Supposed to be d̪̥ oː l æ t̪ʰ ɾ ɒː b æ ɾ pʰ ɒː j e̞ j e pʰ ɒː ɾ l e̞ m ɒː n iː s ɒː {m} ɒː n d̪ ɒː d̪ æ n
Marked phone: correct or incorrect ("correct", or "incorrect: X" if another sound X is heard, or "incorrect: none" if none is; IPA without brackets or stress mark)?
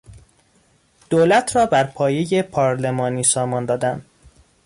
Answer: correct